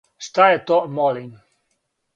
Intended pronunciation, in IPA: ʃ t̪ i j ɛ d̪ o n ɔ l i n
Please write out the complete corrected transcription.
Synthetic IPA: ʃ t̪ a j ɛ t̪ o m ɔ l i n